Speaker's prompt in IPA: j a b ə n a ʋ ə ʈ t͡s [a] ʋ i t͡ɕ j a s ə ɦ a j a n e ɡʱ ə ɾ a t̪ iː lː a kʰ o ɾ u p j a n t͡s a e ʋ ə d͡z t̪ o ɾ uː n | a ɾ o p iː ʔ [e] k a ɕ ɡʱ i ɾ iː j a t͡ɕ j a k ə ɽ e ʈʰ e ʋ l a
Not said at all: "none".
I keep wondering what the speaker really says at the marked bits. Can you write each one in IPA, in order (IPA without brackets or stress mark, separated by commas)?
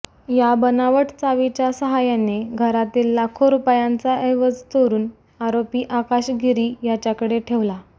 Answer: a, a